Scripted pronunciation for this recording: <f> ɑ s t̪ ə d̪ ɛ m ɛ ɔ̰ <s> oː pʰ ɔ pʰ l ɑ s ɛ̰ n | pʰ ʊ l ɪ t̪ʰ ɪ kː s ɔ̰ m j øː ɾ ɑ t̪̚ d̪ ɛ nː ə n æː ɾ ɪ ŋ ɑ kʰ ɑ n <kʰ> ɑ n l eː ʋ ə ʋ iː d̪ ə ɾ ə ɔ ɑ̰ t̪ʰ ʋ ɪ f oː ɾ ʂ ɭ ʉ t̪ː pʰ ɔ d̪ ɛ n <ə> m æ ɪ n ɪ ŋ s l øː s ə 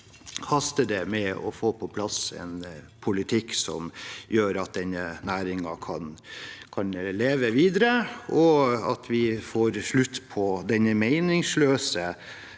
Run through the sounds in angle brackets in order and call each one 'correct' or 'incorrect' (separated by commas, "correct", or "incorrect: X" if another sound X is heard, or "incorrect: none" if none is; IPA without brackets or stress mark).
incorrect: h, incorrect: f, correct, correct